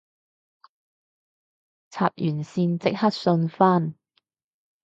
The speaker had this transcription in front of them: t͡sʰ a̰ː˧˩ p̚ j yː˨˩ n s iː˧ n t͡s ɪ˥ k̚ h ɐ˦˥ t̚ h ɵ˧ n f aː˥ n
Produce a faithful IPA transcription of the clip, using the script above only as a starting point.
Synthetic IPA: t͡sʰ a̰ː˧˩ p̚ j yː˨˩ n s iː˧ n t͡s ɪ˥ k̚ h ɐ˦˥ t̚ s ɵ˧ n f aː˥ n